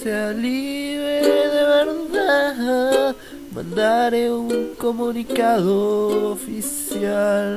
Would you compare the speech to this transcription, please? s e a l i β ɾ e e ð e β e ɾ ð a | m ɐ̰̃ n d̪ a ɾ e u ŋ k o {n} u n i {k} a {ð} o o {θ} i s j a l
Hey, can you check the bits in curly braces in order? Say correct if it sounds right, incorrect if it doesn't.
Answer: incorrect: m, correct, correct, incorrect: f

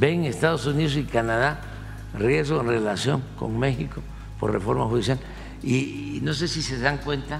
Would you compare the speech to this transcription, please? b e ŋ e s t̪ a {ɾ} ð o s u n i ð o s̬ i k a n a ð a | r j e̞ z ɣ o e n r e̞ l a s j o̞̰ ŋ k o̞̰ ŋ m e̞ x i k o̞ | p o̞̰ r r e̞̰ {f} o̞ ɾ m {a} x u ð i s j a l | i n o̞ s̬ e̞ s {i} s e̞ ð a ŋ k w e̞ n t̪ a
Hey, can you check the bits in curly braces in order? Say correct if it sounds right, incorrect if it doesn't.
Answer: incorrect: none, correct, correct, correct

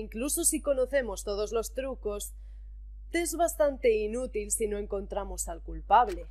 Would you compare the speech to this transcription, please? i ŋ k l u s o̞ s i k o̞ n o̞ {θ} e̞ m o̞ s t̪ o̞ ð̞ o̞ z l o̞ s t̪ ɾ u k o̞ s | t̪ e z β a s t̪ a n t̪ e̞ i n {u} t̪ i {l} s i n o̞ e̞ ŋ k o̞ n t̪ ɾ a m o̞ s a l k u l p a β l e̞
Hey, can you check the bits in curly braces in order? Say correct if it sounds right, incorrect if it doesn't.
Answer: correct, correct, correct

